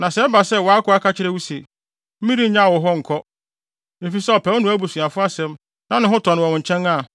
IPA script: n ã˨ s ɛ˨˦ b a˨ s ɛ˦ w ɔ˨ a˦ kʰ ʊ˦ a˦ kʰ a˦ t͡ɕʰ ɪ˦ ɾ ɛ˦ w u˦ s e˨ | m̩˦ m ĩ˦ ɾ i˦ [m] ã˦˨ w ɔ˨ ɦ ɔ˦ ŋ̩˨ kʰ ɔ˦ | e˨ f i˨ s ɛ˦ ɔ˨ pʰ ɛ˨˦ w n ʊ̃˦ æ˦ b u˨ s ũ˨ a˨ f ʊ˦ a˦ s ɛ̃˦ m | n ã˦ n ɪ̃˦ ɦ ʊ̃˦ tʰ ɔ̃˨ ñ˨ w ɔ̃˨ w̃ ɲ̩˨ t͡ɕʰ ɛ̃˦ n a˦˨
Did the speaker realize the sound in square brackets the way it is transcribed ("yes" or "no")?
no